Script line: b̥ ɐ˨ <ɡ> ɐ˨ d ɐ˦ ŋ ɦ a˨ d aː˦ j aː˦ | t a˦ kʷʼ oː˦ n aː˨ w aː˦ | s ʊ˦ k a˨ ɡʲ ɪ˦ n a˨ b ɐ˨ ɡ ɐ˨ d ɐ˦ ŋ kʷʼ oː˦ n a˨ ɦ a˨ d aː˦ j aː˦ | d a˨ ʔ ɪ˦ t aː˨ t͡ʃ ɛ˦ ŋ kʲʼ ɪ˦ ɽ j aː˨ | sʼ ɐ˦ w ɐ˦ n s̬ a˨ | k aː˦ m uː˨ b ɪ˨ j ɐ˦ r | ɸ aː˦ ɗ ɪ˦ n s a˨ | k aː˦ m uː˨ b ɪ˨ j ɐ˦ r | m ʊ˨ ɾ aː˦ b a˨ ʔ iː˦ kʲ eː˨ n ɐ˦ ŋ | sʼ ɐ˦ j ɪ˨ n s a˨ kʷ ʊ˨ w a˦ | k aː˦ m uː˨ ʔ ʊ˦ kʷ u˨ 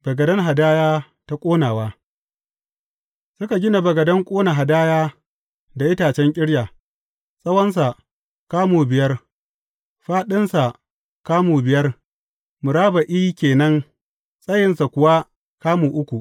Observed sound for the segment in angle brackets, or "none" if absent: ɡ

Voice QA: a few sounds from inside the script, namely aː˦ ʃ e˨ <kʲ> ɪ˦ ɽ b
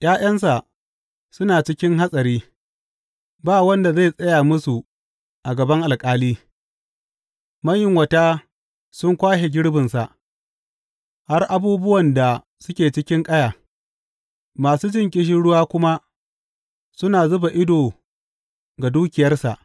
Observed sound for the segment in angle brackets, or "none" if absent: ɡʲ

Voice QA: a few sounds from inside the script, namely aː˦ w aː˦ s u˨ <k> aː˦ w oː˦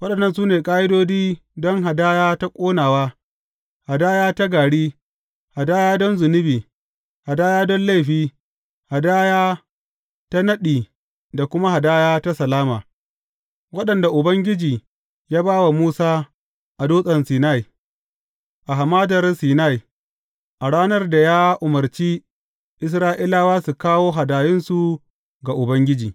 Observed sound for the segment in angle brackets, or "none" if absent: k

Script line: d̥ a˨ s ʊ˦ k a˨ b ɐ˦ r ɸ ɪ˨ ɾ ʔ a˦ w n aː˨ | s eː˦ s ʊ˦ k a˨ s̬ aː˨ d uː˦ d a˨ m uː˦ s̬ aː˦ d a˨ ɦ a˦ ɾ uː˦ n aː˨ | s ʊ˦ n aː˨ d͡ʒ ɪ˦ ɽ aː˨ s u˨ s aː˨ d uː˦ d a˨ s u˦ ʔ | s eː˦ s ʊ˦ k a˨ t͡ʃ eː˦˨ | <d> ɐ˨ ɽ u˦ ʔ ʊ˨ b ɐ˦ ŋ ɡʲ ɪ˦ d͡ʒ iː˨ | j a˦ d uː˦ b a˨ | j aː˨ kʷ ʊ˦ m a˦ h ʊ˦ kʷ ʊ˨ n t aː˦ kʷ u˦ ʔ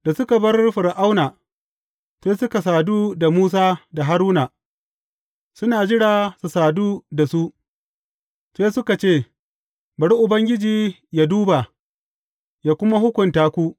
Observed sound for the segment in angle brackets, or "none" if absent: b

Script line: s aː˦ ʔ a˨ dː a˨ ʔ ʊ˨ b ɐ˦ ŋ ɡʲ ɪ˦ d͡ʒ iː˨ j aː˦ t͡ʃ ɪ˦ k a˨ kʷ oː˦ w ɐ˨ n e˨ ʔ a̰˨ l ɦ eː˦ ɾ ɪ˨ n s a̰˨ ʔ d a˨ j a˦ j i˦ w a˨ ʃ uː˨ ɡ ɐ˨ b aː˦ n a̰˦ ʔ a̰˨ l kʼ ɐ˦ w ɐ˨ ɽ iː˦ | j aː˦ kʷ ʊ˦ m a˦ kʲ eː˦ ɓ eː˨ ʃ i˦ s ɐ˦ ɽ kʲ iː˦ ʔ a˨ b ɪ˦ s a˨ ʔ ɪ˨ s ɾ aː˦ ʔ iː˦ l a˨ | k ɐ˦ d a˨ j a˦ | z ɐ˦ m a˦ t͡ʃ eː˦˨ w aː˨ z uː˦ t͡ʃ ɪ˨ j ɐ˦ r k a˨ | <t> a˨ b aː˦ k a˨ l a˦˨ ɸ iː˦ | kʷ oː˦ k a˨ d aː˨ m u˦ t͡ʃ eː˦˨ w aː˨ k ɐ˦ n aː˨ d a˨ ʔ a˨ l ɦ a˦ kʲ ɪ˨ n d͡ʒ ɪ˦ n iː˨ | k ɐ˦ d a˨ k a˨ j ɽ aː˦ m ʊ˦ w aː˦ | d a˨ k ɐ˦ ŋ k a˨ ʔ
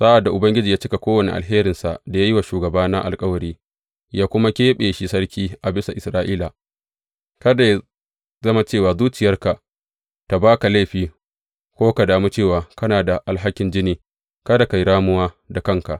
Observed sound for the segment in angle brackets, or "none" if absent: t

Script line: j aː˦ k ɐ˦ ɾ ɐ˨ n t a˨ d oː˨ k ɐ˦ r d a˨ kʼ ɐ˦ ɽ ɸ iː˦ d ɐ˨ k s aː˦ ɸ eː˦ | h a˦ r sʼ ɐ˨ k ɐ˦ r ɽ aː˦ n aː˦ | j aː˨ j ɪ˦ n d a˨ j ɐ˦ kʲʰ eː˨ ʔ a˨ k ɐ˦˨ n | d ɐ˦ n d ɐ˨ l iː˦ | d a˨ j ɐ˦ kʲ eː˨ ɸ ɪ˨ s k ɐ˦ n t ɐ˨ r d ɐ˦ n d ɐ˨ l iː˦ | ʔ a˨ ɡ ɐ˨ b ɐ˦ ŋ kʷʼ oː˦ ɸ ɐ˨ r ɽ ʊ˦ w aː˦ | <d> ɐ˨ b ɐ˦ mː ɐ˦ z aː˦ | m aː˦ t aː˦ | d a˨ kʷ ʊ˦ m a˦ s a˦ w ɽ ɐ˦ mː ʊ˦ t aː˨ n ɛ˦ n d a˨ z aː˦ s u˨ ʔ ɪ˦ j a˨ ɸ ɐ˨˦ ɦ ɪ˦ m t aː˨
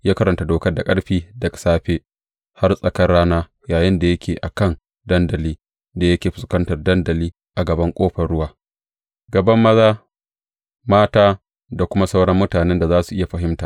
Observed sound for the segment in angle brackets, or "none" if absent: ɡ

